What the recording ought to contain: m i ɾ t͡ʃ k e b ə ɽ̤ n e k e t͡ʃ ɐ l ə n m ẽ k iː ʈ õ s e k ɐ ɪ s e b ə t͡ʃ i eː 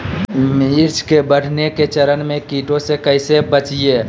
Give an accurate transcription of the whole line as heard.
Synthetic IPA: m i ɾ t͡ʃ k e b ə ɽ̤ n e k e t͡ʃ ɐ ɾ ə n m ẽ k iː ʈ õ s e k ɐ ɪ s e b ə t͡ʃ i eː